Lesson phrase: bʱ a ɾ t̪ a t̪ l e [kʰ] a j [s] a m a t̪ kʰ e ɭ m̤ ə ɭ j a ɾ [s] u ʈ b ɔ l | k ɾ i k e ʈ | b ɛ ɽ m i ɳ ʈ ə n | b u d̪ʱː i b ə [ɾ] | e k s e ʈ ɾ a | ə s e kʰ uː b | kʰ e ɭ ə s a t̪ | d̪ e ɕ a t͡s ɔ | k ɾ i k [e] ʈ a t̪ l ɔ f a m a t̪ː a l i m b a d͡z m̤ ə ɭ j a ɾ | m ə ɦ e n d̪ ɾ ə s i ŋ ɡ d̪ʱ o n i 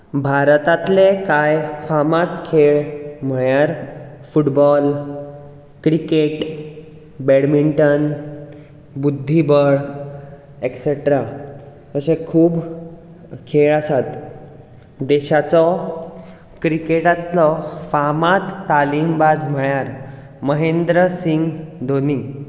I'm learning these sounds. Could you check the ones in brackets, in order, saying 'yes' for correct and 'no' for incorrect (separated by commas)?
no, no, no, no, yes